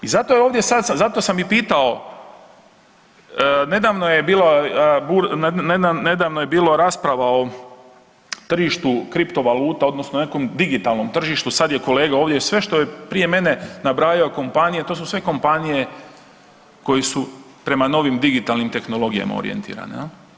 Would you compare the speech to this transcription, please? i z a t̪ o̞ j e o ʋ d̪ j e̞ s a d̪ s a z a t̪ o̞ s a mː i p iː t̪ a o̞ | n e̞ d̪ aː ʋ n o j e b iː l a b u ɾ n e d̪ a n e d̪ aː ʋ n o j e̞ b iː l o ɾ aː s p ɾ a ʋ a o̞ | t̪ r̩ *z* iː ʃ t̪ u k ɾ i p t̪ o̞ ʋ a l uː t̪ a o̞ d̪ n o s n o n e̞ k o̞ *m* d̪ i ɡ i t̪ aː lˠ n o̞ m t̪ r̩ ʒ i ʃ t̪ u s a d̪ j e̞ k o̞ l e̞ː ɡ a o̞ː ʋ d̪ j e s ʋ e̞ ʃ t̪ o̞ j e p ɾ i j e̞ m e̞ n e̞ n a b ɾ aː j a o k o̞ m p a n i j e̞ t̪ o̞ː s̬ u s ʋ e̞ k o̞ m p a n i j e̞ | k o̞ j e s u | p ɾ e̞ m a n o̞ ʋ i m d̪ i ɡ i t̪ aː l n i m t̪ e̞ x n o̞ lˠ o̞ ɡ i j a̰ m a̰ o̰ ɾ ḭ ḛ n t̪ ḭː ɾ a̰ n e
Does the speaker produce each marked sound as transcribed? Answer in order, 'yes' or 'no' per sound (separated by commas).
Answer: no, yes